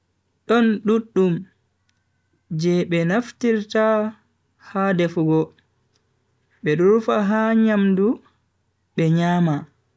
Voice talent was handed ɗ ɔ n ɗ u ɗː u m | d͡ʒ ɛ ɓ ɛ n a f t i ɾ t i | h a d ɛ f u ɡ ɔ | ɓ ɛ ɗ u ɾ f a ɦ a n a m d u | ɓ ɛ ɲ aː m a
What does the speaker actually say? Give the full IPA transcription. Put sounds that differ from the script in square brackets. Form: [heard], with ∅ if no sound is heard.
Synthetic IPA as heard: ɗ ɔ n ɗ u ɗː u m | d͡ʒ ɛ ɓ ɛ n a f t i ɾ t [a] | h a d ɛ f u ɡ ɔ | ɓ ɛ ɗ u ɾ f a ɦ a [ɲ] a m d u | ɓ ɛ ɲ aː m a